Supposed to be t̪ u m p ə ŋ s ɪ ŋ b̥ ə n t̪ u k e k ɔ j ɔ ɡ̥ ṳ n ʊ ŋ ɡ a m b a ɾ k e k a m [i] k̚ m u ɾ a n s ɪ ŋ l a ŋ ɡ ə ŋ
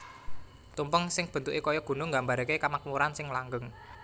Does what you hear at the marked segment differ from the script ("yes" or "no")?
yes